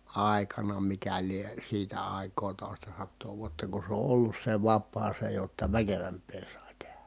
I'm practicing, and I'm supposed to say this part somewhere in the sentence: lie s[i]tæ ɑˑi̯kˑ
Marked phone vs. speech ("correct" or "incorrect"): incorrect